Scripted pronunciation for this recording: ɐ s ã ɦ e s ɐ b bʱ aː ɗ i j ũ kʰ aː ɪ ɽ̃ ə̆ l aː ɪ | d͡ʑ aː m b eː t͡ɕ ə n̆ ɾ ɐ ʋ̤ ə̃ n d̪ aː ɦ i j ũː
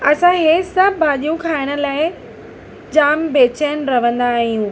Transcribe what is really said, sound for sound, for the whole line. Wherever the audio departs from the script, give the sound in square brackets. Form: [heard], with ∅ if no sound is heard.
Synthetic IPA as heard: ɐ s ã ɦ e s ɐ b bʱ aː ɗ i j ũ kʰ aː ɪ ɽ̃ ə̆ l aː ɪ | d͡ʑ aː m b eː t͡ɕ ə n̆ ɾ ɐ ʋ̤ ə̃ n d̪ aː ɦ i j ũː